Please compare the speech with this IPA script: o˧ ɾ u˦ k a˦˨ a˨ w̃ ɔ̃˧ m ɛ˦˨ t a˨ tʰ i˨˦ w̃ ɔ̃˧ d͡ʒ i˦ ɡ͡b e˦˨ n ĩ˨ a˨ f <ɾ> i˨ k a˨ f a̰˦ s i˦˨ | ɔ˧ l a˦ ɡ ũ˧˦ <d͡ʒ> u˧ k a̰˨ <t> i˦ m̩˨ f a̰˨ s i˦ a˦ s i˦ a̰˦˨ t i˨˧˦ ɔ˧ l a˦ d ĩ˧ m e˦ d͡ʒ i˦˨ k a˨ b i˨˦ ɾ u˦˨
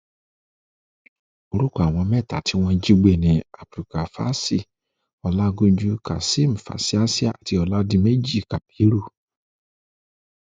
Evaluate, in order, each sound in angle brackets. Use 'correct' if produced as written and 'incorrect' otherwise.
correct, correct, incorrect: s

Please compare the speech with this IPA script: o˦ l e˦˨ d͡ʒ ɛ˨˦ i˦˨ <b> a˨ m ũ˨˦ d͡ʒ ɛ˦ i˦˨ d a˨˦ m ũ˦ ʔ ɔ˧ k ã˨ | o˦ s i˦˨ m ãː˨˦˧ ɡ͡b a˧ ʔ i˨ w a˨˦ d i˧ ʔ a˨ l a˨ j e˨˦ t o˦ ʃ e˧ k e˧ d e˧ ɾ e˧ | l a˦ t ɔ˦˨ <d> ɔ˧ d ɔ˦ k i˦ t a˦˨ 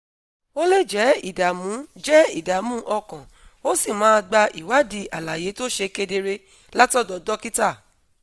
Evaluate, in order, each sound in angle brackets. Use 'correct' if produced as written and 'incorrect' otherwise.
incorrect: d, correct

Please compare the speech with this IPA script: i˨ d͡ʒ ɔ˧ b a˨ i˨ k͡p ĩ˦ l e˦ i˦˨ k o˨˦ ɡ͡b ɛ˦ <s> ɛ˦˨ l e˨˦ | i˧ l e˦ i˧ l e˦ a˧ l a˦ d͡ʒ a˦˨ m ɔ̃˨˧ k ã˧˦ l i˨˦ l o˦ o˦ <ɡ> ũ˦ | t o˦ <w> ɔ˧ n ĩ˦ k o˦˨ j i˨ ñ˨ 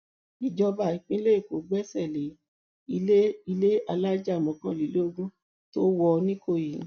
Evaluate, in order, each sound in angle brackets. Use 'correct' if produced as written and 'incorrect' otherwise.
correct, correct, correct

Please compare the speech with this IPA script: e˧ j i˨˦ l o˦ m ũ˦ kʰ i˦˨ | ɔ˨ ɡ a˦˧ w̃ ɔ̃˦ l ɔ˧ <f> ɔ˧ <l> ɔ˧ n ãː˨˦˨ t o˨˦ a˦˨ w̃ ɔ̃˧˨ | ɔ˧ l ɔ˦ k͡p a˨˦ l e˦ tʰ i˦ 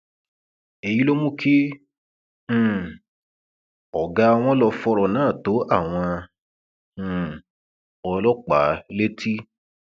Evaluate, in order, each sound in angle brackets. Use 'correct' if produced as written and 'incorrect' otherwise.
correct, incorrect: ɾ

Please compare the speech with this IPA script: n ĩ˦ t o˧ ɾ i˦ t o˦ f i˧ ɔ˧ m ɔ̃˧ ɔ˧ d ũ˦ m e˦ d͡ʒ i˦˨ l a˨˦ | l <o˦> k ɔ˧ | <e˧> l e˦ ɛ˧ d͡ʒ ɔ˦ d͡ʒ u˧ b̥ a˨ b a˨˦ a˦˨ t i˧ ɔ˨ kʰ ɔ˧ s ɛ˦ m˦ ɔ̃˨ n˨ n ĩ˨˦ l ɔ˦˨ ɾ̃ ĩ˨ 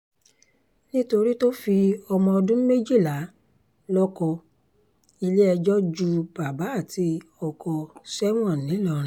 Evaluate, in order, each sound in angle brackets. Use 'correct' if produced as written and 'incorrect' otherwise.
incorrect: ɔ˦, incorrect: i˧

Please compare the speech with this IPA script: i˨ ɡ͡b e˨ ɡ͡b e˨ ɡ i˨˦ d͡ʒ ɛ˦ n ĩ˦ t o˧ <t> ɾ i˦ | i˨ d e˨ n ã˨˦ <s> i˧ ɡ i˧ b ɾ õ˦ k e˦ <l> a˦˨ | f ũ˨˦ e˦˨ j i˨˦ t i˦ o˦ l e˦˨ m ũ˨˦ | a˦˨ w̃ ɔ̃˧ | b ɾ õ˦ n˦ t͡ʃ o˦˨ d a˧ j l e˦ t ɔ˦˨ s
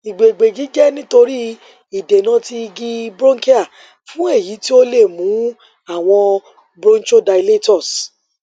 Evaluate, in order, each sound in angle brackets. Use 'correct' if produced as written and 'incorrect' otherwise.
incorrect: none, incorrect: t, incorrect: none

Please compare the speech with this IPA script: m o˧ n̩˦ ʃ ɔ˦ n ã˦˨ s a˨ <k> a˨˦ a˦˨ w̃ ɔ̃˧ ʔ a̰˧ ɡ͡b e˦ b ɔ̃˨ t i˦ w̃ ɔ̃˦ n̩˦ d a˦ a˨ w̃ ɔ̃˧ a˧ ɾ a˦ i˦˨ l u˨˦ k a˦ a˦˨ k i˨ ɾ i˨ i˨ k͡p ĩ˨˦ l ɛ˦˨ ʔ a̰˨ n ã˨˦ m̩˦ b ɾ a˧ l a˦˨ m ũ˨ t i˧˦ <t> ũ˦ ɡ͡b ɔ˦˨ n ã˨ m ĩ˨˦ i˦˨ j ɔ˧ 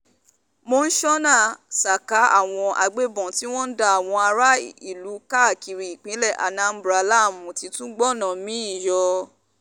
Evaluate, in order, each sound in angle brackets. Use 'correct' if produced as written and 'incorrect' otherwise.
correct, correct

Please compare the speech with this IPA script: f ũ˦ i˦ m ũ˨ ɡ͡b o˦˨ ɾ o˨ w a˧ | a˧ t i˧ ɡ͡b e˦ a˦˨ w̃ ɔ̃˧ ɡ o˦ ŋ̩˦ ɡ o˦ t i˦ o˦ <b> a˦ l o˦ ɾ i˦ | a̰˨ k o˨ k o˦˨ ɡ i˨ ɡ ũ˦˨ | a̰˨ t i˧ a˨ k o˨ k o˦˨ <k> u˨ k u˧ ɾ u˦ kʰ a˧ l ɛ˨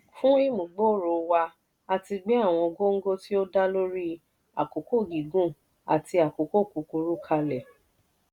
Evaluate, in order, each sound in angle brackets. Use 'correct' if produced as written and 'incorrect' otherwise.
incorrect: d, correct

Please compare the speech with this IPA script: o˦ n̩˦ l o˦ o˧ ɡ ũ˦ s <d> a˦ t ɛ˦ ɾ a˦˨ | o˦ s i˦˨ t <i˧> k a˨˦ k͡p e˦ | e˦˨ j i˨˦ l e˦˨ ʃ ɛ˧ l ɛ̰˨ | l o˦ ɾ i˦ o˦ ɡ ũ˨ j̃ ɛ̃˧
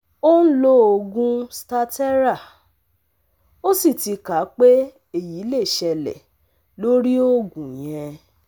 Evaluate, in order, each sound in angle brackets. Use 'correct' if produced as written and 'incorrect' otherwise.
incorrect: t, correct

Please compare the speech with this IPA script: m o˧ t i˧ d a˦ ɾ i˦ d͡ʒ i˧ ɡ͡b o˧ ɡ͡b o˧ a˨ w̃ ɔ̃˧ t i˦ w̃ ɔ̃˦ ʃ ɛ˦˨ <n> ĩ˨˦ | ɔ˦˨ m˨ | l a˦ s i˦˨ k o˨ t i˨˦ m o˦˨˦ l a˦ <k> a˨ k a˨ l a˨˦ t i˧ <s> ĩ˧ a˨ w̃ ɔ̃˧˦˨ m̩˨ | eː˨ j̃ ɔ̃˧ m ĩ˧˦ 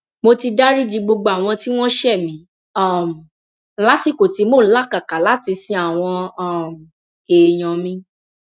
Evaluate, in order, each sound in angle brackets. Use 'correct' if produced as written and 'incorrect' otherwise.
incorrect: m, correct, correct

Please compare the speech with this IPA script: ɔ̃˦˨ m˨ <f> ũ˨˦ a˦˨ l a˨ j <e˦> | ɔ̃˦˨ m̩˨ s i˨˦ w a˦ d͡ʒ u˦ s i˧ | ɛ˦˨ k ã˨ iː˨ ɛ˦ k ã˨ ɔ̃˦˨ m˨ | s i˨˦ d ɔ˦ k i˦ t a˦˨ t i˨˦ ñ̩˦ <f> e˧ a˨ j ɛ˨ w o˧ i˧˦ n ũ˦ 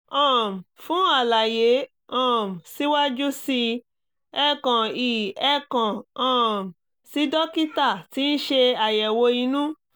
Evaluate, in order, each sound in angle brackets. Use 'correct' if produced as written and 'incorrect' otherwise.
correct, incorrect: e˨˦, incorrect: ʃ

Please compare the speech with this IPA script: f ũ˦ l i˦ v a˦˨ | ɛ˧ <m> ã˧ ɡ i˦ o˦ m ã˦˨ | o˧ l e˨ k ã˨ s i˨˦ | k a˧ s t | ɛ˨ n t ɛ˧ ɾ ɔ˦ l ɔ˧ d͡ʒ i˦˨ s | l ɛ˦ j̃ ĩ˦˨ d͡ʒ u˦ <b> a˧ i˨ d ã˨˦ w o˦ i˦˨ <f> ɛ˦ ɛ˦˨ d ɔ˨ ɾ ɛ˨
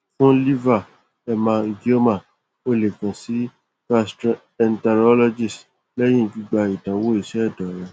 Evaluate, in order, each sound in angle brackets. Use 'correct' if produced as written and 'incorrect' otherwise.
correct, incorrect: ɡ͡b, incorrect: ʃ

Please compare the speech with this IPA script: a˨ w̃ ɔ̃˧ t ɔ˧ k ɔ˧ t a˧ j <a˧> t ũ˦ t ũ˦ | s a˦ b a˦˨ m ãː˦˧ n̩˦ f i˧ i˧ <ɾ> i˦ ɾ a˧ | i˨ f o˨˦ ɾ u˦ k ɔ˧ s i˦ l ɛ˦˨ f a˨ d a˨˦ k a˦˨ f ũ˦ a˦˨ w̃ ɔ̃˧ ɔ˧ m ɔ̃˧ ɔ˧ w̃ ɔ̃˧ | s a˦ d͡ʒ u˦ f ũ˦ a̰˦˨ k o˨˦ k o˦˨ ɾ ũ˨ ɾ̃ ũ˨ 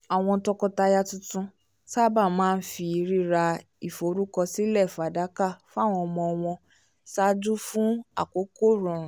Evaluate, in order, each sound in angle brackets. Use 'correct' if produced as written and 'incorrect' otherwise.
correct, correct

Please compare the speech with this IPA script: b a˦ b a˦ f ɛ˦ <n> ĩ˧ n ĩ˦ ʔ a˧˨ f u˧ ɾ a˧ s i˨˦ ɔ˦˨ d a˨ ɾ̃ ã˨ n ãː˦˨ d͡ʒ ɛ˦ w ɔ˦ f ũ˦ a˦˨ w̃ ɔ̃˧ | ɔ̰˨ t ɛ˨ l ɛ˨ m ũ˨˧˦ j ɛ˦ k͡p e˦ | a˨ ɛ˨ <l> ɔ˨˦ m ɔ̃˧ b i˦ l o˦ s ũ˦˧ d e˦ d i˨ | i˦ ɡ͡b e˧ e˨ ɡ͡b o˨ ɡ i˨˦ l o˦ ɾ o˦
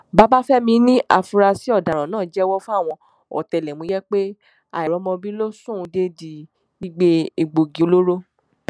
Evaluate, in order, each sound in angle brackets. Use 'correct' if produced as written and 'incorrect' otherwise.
incorrect: m, incorrect: ɾ

